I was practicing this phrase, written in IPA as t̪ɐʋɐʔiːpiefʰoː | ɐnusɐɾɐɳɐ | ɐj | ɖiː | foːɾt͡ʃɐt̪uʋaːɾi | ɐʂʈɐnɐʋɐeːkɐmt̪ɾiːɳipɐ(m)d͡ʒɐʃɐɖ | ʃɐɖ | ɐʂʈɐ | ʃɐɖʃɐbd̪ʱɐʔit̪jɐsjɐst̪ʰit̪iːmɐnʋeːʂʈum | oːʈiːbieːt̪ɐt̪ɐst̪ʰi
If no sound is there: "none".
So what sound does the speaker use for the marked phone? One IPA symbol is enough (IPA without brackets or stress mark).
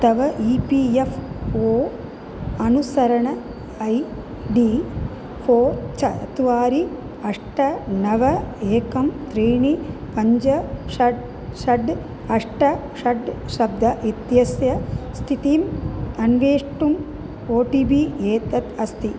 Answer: ɲ